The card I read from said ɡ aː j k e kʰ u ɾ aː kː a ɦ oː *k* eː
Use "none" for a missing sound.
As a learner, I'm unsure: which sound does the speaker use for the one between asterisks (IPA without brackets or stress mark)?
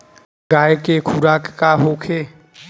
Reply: kʰ